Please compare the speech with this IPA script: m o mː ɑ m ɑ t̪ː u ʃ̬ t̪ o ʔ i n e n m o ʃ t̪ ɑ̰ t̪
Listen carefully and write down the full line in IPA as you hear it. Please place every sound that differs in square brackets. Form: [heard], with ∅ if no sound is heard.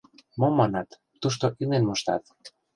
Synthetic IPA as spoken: m o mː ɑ [n] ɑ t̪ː u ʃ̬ t̪ o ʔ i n e n m o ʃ t̪ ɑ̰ t̪

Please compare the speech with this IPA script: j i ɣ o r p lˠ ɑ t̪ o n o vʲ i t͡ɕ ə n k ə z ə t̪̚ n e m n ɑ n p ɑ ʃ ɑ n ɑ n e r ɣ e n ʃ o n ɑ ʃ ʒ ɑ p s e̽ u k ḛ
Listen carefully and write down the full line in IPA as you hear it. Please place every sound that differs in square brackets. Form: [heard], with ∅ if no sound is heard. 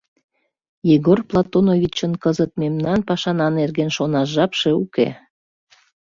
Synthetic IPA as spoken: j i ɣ o r p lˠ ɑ t̪ o n o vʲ i t͡ɕ ə n k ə z ə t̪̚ [m] e m n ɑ n p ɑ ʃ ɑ n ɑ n e r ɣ e n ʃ o n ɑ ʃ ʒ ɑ p [ʃ] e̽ u k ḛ

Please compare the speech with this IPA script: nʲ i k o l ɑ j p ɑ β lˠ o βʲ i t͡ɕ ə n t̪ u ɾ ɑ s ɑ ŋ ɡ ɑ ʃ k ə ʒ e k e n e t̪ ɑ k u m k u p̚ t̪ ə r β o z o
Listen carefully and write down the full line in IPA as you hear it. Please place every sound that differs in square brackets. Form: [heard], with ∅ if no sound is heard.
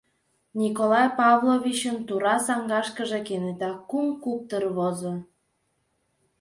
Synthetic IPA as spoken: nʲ i k o l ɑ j p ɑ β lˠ o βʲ i t͡ɕ ə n t̪ u ɾ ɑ s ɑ ŋ ɡ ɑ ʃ k ə ʒ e k e n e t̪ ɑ k u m k u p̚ t̪ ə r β o z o

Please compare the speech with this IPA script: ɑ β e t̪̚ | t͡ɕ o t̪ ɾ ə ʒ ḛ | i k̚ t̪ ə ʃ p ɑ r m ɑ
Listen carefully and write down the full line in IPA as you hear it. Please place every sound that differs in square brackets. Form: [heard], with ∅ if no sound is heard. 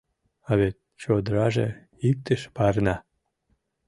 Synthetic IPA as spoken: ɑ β e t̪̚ | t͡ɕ o [d̪] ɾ [ɑ] ʒ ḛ | i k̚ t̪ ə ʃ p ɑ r [n] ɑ

